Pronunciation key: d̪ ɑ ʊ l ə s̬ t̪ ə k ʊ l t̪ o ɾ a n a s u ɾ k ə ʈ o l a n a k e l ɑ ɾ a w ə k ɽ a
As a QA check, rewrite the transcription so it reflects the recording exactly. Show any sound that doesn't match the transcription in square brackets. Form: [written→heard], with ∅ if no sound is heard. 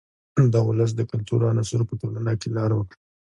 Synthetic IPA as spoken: d̪ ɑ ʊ l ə s̬ [t̪→d̪] ə k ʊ l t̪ [o→u] ɾ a n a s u ɾ [k→p] ə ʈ o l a n a k e l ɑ ɾ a w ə k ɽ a